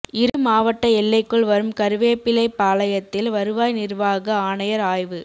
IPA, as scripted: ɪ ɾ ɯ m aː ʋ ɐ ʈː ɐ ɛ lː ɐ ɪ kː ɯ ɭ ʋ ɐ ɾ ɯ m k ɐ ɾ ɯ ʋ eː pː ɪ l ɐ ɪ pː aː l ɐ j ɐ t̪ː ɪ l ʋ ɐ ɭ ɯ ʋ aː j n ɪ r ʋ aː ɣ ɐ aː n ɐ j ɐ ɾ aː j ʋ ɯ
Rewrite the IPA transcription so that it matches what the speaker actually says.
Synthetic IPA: ɪ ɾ ɯ m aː ʋ ɐ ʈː ɐ ɛ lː ɐ ɪ kː ɯ ɭ ʋ ɐ ɾ ɯ m k ɐ ɾ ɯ ʋ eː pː ɪ l ɐ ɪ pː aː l ɐ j ɐ t̪ː ɪ l ʋ ɐ ɾ ɯ ʋ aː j n ɪ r ʋ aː ɣ ɐ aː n ɐ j ɐ ɾ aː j ʋ ɯ